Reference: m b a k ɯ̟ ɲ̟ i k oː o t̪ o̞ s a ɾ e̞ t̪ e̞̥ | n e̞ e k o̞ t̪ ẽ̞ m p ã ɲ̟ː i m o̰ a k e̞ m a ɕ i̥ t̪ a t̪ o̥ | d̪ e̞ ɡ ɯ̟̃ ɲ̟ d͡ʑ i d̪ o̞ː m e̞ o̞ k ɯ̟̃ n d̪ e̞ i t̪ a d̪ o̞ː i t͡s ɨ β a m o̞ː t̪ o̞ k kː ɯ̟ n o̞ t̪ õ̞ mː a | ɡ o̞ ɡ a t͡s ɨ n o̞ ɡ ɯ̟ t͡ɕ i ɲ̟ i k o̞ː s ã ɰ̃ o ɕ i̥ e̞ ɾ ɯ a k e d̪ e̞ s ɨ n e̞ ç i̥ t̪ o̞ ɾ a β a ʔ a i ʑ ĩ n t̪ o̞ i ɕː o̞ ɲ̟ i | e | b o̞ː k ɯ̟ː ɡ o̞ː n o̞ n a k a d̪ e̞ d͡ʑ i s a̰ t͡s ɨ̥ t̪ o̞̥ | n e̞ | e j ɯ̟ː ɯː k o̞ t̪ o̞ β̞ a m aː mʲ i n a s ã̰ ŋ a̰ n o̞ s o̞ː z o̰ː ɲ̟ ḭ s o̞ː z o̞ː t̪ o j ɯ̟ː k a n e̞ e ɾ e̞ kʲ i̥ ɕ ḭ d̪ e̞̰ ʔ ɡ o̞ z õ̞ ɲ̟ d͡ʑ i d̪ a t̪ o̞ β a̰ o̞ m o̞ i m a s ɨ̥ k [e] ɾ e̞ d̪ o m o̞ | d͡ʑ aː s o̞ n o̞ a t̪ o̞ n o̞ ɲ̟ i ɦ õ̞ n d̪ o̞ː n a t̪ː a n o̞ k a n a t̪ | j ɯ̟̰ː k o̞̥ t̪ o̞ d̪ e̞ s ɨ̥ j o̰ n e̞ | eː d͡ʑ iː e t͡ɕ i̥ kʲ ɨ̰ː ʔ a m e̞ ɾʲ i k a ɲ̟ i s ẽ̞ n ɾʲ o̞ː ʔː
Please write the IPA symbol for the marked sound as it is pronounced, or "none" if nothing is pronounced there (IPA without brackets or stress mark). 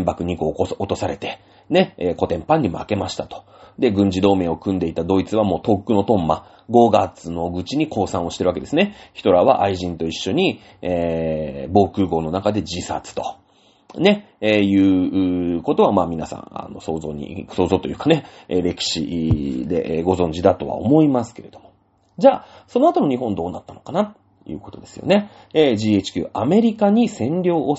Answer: e